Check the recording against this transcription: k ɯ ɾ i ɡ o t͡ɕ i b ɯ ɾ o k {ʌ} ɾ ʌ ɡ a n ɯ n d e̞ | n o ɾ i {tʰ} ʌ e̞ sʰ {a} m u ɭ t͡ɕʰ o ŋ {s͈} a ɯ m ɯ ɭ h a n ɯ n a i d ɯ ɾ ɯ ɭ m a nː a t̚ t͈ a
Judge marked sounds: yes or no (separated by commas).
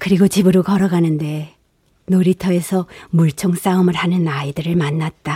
yes, yes, no, yes